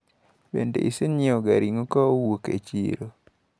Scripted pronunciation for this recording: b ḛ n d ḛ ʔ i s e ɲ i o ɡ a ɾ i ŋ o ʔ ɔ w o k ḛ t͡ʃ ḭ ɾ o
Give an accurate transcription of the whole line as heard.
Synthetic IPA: b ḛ n d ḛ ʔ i s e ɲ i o ɡ a ɾ i ŋ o k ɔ w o k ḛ t͡ʃ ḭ ɾ o